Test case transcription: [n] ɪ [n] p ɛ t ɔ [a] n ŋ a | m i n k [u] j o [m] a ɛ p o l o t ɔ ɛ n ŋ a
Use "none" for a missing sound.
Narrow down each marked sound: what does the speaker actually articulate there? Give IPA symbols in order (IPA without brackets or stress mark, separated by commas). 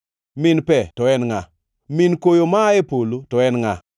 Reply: m, n, ɛ, o, m